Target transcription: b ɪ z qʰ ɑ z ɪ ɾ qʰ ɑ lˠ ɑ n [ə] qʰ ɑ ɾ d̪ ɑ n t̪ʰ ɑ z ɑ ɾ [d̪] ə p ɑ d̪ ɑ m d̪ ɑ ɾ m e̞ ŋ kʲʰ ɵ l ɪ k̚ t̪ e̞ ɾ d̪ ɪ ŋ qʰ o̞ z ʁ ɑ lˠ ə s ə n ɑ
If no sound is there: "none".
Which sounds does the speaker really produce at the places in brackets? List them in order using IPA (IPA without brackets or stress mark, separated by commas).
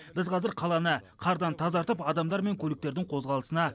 ə, t̪